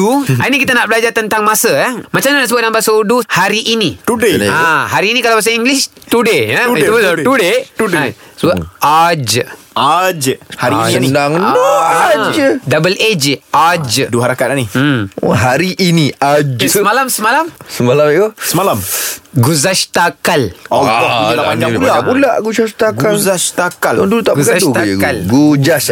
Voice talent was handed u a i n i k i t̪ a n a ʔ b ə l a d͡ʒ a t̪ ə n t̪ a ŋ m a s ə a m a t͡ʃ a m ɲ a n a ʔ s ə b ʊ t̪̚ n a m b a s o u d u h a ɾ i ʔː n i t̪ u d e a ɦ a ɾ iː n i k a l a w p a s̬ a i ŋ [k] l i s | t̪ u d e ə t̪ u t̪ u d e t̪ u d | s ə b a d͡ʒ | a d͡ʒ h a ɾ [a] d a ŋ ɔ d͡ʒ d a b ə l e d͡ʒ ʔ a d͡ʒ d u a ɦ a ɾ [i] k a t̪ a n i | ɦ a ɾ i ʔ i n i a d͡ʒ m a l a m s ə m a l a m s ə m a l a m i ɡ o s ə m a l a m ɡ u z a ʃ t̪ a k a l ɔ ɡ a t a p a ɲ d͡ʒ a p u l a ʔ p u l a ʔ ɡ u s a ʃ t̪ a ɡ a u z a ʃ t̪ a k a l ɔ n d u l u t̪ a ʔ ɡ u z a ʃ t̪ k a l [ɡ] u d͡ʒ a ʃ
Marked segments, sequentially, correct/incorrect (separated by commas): incorrect, incorrect, incorrect, correct